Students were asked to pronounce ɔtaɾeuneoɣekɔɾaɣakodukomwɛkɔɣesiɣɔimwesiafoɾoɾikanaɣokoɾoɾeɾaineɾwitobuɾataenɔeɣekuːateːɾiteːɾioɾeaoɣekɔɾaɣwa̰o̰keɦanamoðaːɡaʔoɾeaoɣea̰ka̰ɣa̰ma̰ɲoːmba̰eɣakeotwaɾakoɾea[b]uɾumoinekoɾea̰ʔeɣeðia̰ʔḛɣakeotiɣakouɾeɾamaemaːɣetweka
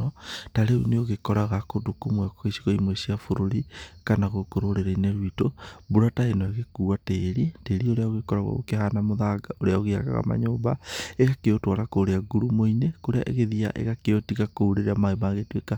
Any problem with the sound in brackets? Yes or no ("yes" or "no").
yes